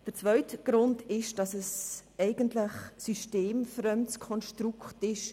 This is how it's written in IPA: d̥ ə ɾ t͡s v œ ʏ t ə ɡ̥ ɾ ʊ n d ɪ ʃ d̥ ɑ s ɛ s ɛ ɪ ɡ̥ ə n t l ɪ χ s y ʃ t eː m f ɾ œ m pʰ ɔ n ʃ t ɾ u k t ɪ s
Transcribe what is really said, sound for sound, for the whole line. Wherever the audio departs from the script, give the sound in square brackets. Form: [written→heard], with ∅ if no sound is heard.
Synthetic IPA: d̥ ə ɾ t͡s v œ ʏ t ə ɡ̥ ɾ ʊ n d ɪ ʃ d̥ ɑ s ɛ s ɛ ɪ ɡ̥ ə n t l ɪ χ s y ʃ t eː m f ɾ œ m [pʰ→kʰ] ɔ n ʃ t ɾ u k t ɪ [s→ʃ]